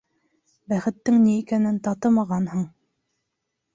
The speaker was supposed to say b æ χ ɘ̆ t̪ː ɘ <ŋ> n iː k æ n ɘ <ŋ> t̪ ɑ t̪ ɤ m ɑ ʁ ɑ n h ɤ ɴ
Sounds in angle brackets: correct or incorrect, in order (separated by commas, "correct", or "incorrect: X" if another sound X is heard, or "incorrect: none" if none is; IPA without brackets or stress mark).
correct, incorrect: n